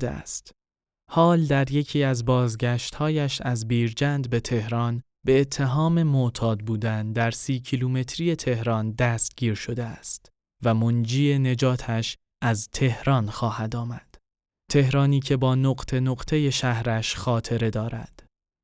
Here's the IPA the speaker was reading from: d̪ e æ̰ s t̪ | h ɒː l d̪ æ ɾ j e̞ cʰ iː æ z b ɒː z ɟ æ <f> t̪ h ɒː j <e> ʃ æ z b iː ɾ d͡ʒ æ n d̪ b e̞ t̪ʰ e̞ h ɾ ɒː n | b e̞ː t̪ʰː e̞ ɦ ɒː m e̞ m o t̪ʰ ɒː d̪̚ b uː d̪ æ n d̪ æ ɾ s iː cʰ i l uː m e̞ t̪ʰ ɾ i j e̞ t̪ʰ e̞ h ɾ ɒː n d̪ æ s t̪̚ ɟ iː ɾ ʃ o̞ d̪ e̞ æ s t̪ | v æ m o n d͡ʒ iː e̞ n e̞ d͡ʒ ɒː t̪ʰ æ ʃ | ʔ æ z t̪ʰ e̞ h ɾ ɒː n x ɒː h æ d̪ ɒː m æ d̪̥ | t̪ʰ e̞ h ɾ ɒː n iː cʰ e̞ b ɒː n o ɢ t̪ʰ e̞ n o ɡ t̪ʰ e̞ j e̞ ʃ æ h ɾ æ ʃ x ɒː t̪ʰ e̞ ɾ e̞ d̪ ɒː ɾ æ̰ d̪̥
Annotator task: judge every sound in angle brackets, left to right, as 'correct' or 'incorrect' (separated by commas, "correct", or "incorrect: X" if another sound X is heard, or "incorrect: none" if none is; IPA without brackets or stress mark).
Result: incorrect: ʃ, incorrect: æ